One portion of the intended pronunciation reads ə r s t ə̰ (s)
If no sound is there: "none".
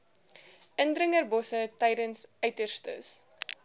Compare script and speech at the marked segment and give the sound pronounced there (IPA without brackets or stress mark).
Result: s